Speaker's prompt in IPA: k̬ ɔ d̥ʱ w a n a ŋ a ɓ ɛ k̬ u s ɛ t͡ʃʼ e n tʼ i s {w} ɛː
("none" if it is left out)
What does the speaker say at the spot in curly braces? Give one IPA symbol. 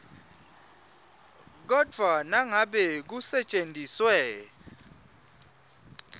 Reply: w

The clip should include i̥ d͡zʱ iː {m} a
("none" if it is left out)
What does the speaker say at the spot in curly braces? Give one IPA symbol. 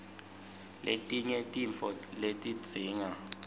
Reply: ŋ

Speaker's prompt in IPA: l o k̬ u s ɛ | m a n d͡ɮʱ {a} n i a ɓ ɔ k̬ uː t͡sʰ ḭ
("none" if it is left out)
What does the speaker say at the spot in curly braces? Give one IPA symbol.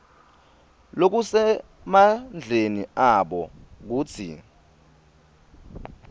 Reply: e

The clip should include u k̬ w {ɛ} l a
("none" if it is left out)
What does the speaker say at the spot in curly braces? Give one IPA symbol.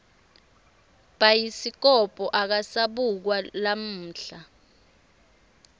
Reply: a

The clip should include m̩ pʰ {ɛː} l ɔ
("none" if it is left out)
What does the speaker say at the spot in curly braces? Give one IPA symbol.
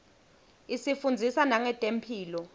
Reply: iː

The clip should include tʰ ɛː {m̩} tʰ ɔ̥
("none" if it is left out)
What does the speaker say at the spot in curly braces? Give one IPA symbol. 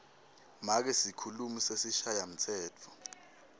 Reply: none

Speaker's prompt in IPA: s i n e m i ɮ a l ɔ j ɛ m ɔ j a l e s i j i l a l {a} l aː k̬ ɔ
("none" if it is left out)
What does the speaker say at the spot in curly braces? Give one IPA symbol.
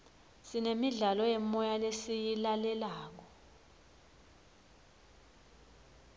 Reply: ɛ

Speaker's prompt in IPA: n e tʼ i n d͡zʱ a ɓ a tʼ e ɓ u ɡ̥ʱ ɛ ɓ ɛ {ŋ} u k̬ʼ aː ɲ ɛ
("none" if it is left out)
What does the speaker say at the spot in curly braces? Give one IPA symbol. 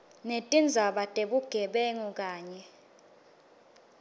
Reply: ŋ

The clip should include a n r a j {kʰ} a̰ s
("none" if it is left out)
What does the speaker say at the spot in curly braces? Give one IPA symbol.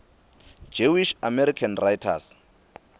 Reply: tʰ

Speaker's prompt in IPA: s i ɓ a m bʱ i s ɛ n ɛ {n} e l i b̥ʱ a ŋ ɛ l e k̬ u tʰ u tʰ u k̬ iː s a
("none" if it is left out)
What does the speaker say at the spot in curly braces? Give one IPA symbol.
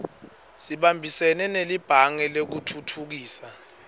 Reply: n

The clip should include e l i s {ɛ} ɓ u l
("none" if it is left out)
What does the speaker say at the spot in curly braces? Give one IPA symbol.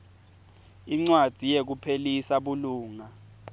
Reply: a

